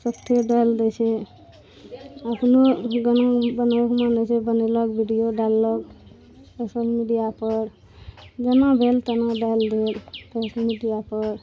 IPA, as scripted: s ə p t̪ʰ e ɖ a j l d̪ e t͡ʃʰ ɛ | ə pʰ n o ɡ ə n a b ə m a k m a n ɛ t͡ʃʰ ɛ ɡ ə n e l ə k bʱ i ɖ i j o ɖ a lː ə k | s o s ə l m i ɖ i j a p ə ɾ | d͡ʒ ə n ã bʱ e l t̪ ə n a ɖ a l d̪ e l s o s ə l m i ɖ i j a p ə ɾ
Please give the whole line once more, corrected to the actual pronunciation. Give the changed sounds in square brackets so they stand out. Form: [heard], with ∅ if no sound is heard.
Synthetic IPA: s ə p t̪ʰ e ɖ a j l d̪ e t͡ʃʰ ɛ | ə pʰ n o ɡ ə n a b ə [n] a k m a n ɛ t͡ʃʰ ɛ [b] ə n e l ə k bʱ i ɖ i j o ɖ a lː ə k | s o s ə l m i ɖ i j a p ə ɾ | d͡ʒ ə n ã bʱ e l t̪ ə n a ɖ a l d̪ e l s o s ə l m i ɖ i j a p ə ɾ